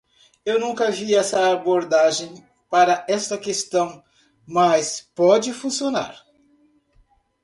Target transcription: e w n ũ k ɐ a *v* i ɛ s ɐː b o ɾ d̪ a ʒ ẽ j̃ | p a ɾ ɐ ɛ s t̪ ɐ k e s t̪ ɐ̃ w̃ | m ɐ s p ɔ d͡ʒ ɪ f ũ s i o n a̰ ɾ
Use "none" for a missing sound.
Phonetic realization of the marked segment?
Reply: v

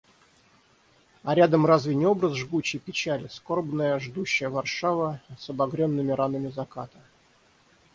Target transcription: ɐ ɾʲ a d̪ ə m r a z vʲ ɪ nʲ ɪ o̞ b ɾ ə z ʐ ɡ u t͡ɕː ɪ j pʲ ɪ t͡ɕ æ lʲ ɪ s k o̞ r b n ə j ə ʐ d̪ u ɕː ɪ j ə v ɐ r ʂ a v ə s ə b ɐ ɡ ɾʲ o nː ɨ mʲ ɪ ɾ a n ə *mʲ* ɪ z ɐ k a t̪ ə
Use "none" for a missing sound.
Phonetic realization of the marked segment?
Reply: mʲ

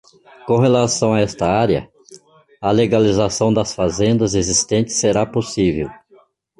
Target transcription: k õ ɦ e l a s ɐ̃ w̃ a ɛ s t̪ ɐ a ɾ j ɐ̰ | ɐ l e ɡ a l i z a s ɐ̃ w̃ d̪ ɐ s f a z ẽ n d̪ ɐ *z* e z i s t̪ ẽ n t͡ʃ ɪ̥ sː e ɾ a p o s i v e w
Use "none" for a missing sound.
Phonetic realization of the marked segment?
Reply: z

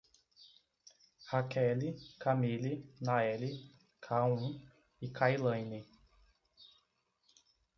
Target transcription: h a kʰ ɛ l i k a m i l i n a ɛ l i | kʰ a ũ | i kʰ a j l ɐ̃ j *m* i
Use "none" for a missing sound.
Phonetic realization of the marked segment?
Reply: n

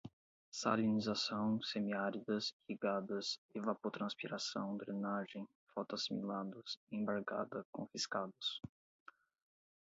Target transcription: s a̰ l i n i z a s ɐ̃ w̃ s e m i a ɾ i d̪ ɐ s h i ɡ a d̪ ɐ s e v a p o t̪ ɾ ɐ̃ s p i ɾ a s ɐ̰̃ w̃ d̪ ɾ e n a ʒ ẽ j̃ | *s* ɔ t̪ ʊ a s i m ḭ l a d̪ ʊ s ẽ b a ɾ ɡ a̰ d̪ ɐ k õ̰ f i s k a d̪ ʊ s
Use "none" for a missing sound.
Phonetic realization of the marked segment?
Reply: f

